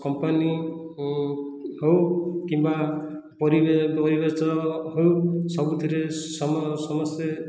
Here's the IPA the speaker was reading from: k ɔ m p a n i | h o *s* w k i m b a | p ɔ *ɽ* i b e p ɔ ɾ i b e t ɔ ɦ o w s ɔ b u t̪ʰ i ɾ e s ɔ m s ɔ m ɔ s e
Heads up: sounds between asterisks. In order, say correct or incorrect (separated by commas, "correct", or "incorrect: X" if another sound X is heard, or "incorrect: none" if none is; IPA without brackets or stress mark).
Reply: incorrect: none, incorrect: ɾ